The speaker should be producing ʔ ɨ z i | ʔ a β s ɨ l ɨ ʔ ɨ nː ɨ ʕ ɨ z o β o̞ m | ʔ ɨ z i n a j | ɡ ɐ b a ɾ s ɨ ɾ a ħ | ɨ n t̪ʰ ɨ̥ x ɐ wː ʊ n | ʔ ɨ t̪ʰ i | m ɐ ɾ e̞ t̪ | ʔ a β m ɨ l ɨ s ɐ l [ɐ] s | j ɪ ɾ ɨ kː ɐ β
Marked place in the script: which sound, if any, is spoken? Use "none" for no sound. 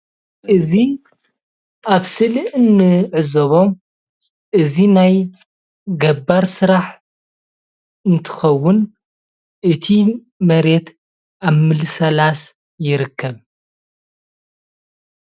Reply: a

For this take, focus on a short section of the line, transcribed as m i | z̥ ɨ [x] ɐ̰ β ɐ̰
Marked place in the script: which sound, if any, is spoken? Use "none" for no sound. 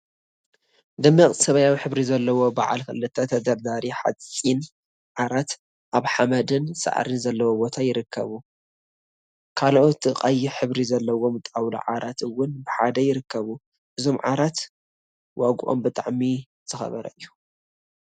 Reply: x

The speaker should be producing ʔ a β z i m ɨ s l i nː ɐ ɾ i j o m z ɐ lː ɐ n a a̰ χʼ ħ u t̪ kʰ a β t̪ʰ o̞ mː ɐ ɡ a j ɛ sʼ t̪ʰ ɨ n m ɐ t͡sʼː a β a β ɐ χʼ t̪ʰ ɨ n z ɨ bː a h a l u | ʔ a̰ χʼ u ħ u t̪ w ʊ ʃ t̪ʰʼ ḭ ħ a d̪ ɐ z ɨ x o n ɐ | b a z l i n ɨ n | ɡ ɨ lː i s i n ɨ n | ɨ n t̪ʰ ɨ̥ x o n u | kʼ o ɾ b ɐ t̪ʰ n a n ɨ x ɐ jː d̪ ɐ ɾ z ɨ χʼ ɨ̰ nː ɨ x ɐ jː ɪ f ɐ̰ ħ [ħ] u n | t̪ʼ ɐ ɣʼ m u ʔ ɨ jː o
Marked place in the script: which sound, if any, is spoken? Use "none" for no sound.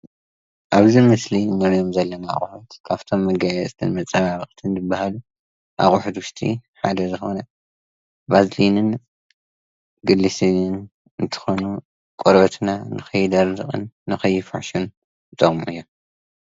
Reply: ʃ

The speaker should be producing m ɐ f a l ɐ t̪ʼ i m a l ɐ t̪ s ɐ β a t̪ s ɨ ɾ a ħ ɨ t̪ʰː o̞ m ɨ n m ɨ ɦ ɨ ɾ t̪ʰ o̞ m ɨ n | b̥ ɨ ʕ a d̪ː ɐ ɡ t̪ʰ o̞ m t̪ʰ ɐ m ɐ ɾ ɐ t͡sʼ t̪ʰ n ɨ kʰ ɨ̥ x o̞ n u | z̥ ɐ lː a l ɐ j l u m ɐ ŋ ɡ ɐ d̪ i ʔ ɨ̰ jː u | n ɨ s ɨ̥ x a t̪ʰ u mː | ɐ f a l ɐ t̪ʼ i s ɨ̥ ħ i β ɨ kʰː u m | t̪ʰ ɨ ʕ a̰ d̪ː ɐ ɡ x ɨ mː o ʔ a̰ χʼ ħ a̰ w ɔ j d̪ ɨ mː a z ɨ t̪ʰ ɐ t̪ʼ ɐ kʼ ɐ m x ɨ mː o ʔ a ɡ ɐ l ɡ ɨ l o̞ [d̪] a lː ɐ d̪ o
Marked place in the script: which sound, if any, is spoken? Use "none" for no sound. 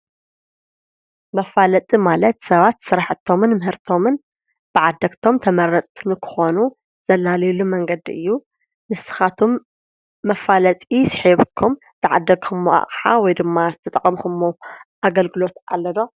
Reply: t̪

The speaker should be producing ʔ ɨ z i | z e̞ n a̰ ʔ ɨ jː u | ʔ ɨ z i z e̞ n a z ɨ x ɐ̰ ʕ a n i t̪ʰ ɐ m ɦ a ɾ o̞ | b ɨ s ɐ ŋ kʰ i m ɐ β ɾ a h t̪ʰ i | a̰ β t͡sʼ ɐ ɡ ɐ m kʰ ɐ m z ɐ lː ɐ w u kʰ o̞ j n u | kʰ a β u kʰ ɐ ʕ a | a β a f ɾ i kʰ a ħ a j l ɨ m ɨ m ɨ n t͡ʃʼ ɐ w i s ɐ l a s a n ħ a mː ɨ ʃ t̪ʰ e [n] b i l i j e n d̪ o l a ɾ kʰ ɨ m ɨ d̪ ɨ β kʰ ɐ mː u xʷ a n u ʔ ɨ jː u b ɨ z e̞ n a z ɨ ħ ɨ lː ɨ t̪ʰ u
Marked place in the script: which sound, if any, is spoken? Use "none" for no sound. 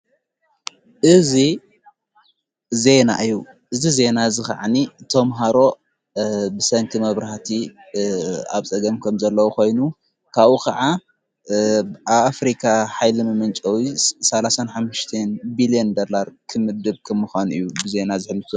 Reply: n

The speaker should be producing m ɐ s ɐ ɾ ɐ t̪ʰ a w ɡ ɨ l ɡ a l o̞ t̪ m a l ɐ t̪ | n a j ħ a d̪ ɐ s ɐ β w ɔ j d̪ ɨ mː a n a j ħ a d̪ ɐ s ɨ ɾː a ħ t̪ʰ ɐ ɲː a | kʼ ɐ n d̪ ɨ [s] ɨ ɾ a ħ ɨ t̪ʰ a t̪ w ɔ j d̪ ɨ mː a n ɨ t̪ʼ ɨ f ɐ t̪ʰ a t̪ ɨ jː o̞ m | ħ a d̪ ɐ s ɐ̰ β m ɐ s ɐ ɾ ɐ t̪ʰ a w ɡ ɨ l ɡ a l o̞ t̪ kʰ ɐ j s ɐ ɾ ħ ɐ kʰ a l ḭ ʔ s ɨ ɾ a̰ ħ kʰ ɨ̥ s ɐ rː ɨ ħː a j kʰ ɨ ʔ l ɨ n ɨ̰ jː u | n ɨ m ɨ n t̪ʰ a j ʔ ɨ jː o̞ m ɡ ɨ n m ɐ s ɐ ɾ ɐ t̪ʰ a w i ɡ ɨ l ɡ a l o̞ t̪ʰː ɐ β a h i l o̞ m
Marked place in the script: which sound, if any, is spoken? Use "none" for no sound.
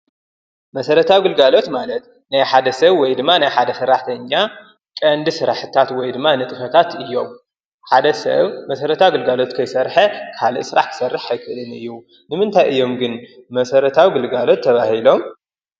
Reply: s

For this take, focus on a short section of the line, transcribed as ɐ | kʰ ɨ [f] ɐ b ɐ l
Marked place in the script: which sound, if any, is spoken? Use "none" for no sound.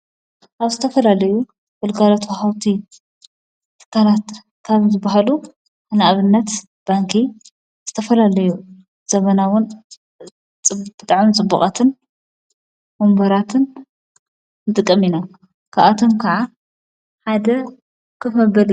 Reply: f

